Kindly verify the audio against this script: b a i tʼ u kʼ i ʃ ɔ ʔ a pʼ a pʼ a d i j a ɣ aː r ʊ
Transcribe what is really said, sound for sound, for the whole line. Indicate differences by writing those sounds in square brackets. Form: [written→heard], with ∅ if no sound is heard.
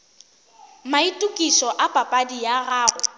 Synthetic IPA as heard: [b→m] a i tʼ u kʼ i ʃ ɔ ʔ a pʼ a pʼ a d i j a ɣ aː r ʊ